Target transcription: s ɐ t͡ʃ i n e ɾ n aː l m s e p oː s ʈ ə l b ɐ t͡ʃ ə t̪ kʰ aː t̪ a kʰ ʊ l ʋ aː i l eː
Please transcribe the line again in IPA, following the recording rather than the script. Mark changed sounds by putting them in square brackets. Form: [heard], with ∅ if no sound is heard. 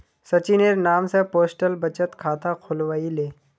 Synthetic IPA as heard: s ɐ t͡ʃ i n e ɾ n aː [∅] m s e p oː s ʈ ə l b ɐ t͡ʃ ə t̪ kʰ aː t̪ a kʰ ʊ l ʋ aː i l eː